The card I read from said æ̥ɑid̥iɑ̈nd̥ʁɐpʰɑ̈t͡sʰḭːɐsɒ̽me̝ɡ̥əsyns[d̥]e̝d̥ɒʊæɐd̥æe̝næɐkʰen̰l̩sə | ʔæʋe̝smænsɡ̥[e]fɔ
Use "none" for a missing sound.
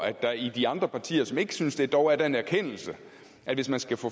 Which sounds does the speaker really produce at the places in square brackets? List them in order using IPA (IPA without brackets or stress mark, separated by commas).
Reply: d̥, æ